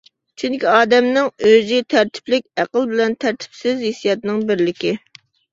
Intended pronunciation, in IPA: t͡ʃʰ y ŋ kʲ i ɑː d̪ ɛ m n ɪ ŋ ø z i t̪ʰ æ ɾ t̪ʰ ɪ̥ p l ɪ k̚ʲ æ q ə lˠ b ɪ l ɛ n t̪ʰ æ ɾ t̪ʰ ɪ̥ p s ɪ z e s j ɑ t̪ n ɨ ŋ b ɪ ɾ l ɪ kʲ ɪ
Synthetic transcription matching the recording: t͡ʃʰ y ŋ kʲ i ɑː d̪ ɛ m n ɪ ŋ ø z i t̪ʰ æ ɾ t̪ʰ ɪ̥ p l ɪ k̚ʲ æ q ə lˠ b ɪ l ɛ n t̪ʰ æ ɾ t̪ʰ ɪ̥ p s ɪ z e s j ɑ t̪ n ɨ ŋ b ɪ ɾ l ɪ kʲ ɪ